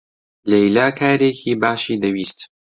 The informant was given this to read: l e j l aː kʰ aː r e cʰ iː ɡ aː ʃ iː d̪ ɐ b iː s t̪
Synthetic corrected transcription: l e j l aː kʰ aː ɾ e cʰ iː b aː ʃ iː d̪ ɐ w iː s t̪